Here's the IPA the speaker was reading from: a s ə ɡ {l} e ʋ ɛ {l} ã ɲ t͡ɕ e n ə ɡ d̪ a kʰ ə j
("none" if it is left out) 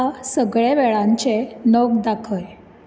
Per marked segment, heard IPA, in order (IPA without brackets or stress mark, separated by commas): ɭ, ɭ